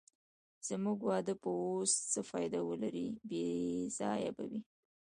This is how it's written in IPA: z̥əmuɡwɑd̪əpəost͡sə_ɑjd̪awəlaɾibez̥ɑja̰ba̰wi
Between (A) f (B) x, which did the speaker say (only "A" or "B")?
A